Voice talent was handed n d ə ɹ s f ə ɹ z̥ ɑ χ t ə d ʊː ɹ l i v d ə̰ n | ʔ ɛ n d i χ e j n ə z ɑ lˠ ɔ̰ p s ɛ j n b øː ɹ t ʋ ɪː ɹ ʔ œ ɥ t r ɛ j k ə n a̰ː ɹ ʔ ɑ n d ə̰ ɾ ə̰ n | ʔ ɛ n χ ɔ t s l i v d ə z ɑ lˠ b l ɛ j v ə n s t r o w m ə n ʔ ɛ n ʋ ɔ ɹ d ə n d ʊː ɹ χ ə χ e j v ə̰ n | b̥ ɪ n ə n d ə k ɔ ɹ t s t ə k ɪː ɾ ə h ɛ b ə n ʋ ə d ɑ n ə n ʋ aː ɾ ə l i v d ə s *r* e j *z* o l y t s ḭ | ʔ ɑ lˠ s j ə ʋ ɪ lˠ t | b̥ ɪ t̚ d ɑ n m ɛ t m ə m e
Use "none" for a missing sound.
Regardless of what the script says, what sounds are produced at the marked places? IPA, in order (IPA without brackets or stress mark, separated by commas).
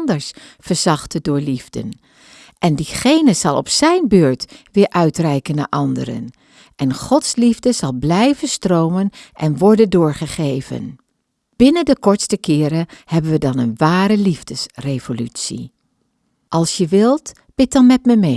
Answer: r, v